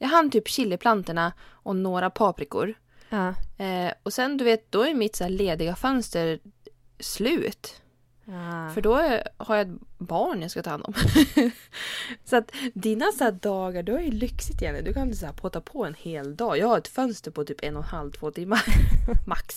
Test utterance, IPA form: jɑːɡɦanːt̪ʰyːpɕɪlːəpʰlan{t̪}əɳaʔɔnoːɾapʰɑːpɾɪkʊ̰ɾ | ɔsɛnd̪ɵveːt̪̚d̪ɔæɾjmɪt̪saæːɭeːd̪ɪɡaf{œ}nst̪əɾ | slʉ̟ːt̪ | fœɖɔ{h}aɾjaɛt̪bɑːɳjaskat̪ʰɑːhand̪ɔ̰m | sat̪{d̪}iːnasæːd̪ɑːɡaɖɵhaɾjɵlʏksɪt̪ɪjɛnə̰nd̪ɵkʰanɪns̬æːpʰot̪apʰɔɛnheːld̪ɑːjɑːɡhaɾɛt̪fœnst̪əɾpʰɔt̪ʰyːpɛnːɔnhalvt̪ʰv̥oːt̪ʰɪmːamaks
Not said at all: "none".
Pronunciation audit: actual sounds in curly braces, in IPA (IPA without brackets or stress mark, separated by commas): t̪, œ, h, d̪